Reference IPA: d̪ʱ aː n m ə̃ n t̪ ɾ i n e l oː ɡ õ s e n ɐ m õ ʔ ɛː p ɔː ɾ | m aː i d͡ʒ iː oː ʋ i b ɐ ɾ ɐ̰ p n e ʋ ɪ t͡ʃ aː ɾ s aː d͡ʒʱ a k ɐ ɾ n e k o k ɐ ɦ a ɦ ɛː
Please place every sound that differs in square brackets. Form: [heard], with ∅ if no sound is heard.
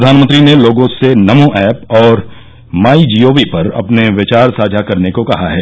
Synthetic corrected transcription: d̪ʱ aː n m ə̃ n t̪ ɾ i n e l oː ɡ õ s e n ɐ m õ ʔ ɛː p ɔː ɾ | m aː i d͡ʒ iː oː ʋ i [p] ɐ ɾ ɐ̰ p n e ʋ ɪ t͡ʃ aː ɾ s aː d͡ʒʱ a k ɐ ɾ n e k o k ɐ ɦ a ɦ ɛː